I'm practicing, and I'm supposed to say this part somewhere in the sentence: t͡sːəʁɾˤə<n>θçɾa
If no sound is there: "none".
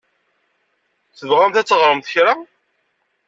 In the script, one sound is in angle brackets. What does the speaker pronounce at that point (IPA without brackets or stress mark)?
m